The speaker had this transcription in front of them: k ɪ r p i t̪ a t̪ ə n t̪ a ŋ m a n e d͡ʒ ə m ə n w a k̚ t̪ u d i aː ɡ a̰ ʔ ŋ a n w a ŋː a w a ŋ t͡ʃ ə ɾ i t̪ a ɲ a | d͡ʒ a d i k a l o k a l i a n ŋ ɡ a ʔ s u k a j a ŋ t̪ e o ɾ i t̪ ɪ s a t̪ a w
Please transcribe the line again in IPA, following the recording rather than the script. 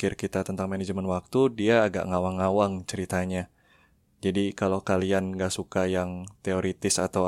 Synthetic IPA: k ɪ r k i t̪ a t̪ ə n t̪ a ŋ m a n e d͡ʒ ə m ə n w a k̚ t̪ u d i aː ɡ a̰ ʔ ŋ a w a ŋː a w a ŋ t͡ʃ ə ɾ i t̪ a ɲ a | d͡ʒ a d i k a l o k a l i a n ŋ ɡ a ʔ s u k a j a ŋ t̪ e o ɾ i t̪ ɪ s a t̪ a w